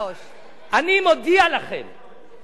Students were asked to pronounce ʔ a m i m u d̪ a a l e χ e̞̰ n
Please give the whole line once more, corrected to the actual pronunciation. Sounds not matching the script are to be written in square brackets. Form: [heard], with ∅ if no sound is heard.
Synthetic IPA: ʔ a [n] i m [o] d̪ [i] a l [a] χ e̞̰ [m]